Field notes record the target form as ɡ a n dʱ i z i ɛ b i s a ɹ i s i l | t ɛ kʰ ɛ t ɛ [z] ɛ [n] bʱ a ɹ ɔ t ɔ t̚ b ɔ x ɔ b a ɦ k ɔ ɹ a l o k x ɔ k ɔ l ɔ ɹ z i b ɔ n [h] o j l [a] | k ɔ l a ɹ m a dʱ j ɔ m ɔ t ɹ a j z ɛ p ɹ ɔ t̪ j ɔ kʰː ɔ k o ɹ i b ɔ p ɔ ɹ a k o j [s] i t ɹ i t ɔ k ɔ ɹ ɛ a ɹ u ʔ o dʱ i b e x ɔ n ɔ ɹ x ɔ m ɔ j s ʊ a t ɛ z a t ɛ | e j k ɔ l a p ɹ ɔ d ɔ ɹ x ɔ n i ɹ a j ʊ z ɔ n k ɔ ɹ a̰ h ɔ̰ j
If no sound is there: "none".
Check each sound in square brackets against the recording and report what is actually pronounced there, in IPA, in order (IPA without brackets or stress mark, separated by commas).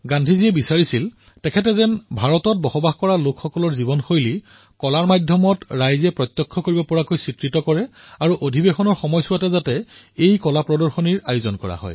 z, n, x, i, s